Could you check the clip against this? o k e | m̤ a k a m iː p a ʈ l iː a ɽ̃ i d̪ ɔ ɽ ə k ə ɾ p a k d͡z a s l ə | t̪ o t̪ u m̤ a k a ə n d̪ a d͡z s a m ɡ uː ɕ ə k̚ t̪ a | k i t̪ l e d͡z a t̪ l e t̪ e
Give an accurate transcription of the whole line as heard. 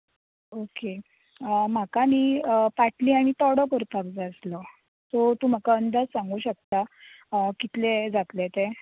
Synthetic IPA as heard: o k e | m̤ a k a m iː p a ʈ l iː a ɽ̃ i t̪ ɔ ɽ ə k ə ɾ p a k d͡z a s l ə | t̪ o t̪ u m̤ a k a ə n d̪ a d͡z s a ŋ ɡ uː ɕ ə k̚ t̪ a | k i t̪ l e d͡z a t̪ l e t̪ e